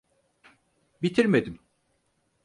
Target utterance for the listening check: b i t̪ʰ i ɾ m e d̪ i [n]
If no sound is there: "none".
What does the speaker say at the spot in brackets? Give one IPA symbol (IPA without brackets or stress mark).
m